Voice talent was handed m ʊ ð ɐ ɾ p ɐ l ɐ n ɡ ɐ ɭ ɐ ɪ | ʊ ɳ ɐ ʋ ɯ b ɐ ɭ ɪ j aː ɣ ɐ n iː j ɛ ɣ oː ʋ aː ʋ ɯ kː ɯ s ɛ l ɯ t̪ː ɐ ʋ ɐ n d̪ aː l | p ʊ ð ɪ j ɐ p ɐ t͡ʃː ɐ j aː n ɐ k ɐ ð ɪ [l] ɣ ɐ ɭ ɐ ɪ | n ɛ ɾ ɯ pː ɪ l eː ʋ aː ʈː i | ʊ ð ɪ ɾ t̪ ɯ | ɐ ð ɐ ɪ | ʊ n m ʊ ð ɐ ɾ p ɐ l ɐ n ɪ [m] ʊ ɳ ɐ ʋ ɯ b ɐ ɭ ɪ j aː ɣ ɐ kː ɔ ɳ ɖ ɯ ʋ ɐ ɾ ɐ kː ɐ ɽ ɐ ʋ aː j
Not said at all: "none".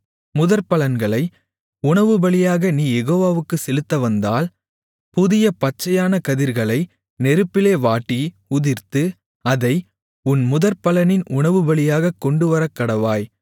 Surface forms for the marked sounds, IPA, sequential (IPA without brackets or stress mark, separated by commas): ɾ, n